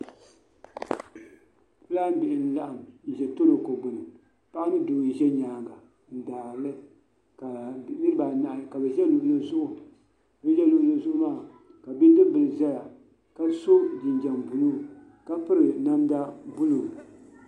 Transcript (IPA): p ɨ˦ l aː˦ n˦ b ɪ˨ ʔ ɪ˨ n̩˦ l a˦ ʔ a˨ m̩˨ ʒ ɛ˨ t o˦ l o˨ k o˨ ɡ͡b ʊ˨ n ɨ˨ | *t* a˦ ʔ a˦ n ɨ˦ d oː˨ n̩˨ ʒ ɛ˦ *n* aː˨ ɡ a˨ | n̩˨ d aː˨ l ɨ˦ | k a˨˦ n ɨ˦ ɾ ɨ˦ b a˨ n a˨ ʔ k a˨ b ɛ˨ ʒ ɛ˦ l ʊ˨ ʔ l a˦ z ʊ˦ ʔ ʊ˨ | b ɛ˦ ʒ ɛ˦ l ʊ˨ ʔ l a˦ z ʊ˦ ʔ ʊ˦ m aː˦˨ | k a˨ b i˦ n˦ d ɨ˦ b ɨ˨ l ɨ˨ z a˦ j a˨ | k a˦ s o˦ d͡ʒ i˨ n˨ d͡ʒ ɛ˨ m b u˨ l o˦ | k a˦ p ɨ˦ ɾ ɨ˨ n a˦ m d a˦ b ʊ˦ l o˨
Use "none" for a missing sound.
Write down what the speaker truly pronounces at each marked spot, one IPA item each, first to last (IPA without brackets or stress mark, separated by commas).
p, ɲ